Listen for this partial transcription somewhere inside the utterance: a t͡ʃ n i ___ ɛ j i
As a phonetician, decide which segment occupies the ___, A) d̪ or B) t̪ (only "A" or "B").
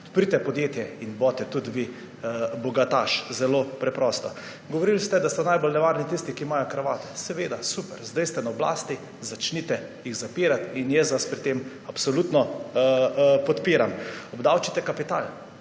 B